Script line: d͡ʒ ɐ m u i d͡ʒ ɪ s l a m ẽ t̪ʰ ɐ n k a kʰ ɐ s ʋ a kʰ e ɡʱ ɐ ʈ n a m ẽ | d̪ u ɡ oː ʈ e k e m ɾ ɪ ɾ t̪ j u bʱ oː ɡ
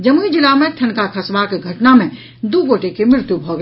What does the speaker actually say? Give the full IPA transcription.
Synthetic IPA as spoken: d͡ʒ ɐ m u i d͡ʒ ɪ l a m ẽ t̪ʰ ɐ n k a kʰ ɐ s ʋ a k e ɡʱ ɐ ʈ n a m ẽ | d̪ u ɡ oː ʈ e k e m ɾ ɪ ɾ t̪ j u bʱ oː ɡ

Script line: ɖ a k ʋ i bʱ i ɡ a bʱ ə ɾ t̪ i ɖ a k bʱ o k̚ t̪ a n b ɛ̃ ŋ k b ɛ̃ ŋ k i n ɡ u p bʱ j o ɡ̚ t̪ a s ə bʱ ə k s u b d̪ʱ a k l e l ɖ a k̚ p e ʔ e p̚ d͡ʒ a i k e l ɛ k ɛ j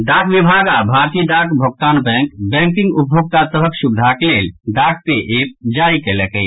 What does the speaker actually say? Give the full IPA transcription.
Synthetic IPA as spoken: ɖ a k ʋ i bʱ a ɡ a bʱ a ɾ t̪ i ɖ a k bʱ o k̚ t̪ a n b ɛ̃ ŋ k b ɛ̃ ŋ k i ŋ ɡ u p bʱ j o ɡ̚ t̪ a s ə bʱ ə k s u b d̪ʱ a k l e l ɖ a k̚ p e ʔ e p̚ d͡ʒ a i k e l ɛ k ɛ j

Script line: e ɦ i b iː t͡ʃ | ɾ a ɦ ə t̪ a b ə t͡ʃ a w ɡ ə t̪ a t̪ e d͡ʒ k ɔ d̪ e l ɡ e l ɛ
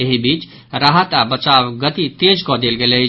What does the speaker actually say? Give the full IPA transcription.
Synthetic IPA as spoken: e ɦ i b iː t͡ʃ | ɾ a ɦ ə t̪ a b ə t͡ʃ a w ɡ ə t̪ i t̪ e d͡ʒ k ɔ d̪ e l ɡ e l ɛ

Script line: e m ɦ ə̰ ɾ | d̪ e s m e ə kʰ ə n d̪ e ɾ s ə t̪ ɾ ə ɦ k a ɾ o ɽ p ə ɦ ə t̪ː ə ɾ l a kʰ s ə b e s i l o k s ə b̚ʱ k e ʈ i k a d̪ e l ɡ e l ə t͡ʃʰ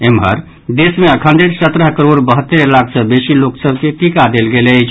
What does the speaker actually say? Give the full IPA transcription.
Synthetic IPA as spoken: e m ɦ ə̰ ɾ | d̪ e s m e ə kʰ ə n d̪ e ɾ s ə t̪ ɾ ə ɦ k ə ɾ o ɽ b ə ɦ ə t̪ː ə ɾ l a kʰ s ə b e s i l o k s ə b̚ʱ k e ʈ i k a d̪ e l ɡ e l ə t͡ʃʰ

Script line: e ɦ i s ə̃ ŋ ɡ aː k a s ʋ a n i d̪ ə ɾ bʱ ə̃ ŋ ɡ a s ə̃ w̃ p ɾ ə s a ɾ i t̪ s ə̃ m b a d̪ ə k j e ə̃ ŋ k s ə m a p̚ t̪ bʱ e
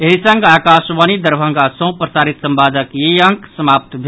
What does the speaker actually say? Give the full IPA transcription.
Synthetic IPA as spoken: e ɦ i s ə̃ ŋ ɡ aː k a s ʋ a n i d̪ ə ɾ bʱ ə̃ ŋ ɡ a s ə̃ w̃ p ɾ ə s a ɾ i t̪ s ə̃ m b a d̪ ə k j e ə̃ ŋ k s ə m a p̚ t̪ bʱ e

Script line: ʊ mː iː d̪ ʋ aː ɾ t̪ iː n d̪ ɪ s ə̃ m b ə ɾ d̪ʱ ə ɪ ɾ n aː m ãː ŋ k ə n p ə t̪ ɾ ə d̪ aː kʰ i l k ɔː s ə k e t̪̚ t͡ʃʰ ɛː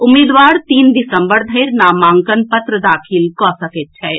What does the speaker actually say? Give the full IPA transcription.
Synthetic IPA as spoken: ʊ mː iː d̪ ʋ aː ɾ t̪ iː n d̪ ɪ s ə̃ m b ə ɾ d̪ʱ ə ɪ ɾ n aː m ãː ŋ k ə n p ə t̪ ɾ ə d̪ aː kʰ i l k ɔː s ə k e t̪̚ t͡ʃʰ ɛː

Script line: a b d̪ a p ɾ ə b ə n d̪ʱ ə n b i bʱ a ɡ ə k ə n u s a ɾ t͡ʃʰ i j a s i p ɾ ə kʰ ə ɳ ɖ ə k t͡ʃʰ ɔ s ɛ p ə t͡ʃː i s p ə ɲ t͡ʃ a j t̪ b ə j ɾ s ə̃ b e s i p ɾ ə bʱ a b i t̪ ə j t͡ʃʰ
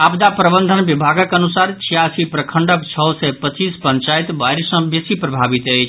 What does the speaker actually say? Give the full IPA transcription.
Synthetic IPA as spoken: a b d̪ a p ɾ ə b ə n d̪ʱ ə n b i bʱ a ɡ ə k ə n u s a ɾ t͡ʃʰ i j a s i p ɾ ə kʰ ə ɳ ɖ ə k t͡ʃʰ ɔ s ɛ p ə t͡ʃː i s p ə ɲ t͡ʃ a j t̪ b a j ɾ s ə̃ b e s i p ɾ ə bʱ a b i t̪ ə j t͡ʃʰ

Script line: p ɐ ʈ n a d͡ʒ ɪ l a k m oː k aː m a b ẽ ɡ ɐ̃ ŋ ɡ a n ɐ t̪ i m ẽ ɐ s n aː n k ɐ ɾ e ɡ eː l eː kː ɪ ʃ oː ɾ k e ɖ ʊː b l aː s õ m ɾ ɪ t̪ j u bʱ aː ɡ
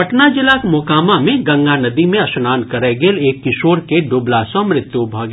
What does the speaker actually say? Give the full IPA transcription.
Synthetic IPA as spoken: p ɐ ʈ n a d͡ʒ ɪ l a k m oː k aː m a m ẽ ɡ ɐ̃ ŋ ɡ a n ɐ d̪ i m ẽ ɐ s n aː n k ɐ ɾ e ɡ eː l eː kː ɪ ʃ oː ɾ k e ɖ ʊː b l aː s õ m ɾ ɪ t̪ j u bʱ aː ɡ

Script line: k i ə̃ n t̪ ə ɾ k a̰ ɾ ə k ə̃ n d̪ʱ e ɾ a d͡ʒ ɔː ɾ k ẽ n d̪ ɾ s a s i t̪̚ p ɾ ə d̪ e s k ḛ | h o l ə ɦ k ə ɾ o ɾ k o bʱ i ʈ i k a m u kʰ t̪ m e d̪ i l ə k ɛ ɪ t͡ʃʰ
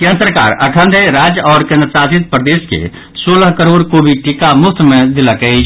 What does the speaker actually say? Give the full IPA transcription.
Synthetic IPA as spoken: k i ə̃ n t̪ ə ɾ k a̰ ɾ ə kʰ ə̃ n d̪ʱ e ɾ a d͡ʒ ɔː ɾ k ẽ n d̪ ɾ s a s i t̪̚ p ɾ ə d̪ e s k ḛ | s o l ə ɦ k ə ɾ o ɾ k o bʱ i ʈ i k a m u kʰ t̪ m e d̪ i l ə k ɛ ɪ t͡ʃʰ

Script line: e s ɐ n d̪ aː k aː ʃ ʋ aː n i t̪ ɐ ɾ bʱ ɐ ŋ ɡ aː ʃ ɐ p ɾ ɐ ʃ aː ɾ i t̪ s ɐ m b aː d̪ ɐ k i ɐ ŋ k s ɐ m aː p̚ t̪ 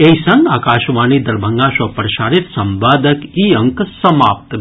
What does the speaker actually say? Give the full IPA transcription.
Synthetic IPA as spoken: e s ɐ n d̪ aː k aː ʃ ʋ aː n i d̪ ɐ ɾ bʱ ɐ ŋ ɡ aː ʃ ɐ p ɾ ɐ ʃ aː ɾ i t̪ s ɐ m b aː d̪ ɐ k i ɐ ŋ k s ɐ m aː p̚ t̪

